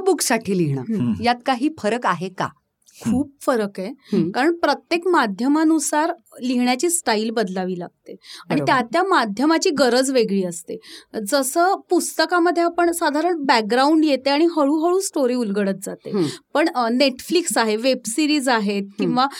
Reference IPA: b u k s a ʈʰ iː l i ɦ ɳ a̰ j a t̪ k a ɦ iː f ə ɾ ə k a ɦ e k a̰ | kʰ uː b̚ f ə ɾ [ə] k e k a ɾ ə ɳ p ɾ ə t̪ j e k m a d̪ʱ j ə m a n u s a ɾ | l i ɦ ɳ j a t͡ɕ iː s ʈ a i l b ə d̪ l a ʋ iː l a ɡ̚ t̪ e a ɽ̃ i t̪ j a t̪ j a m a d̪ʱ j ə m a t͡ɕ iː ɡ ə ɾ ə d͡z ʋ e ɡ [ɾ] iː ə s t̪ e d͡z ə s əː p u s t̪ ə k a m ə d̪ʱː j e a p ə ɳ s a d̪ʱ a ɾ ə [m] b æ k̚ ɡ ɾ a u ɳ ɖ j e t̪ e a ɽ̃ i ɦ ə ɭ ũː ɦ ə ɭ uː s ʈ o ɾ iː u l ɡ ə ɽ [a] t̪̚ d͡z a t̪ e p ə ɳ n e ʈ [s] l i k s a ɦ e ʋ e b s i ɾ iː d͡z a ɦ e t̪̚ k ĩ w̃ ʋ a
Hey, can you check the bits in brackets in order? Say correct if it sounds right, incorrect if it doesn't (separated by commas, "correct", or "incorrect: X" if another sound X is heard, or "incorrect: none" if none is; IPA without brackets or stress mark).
correct, incorrect: ɭ, incorrect: ɳ, incorrect: ə, incorrect: f